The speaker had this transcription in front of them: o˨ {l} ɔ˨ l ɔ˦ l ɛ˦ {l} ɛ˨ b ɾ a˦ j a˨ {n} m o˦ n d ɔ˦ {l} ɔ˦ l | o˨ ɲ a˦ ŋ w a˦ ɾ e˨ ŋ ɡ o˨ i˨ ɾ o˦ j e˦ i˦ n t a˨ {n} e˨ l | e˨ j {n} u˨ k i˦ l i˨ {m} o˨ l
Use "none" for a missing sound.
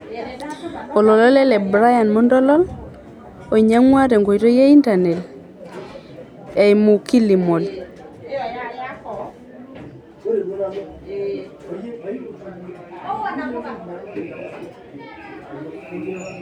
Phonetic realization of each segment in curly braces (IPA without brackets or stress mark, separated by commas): l, l, n, l, n, m, m